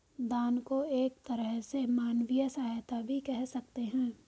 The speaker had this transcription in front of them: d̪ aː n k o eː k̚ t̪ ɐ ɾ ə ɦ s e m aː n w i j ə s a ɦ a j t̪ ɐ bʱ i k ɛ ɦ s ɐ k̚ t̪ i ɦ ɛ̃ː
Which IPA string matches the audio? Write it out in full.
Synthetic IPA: d̪ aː n k o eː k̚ t̪ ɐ ɾ ə ɦ s e m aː n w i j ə s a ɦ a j t̪ a bʱ i k ɛ ɦ s ɐ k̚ t̪ e ɦ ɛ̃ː